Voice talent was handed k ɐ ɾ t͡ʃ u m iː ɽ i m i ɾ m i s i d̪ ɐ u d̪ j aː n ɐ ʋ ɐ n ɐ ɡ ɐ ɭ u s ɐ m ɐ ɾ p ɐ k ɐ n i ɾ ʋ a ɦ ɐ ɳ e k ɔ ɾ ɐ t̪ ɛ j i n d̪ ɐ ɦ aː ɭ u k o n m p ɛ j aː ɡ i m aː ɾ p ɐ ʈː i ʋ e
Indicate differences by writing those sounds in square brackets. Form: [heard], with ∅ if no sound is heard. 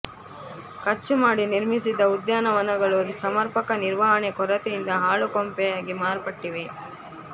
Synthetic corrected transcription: k ɐ ɾ t͡ʃ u m [aː] ɽ i [n] i ɾ m i s i d̪ ɐ u d̪ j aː n ɐ ʋ ɐ n ɐ ɡ ɐ ɭ u s ɐ m ɐ ɾ p ɐ k ɐ n i ɾ ʋ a ɦ ɐ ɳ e k ɔ ɾ ɐ t̪ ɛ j i n d̪ ɐ ɦ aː ɭ u k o [∅] m p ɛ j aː ɡ i m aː ɾ p ɐ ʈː i ʋ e